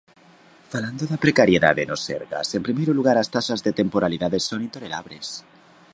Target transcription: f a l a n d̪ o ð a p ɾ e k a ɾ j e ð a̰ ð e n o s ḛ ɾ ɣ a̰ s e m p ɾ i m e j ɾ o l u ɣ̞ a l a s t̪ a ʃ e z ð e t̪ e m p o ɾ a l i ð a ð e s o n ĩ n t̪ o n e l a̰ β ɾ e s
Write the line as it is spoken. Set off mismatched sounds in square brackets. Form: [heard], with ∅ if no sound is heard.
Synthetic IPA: f a l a n d̪ o ð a p ɾ e k a ɾ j e ð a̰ ð e n o s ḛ ɾ ɣ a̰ s e m p ɾ i m e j ɾ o l u ɣ̞ a [ɾ] a s t̪ a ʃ [a] z ð e t̪ e m p o ɾ a l i ð a ð e s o n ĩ n t̪ o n e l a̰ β ɾ e s